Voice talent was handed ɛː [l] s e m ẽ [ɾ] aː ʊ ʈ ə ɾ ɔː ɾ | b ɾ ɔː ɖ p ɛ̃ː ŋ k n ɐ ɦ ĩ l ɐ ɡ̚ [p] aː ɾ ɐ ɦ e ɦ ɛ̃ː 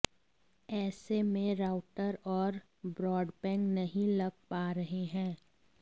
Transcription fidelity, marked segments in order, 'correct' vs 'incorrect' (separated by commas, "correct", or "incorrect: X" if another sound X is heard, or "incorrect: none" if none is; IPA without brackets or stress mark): incorrect: none, correct, correct